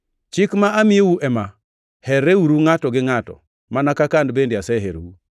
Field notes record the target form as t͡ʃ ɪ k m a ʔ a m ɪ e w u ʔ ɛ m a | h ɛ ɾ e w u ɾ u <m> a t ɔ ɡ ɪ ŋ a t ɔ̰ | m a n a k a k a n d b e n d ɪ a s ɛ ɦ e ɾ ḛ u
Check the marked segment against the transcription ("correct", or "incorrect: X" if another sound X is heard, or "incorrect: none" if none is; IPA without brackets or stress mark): incorrect: ŋ